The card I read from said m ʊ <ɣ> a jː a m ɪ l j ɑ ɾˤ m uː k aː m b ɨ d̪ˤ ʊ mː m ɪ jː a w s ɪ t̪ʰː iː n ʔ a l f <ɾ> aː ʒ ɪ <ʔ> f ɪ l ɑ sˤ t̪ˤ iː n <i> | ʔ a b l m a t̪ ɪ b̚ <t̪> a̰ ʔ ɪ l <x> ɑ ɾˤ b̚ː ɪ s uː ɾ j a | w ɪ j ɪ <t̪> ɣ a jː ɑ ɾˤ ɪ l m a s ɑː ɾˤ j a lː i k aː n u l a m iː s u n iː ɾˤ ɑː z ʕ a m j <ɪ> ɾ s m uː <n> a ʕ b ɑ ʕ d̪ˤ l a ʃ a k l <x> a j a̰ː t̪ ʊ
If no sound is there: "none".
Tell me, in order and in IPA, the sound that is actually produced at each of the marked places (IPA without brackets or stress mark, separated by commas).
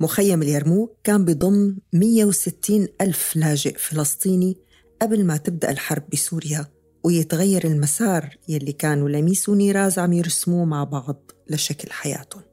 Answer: x, l, ʔ, i, d̪, ħ, t̪, ɪ, m, ħ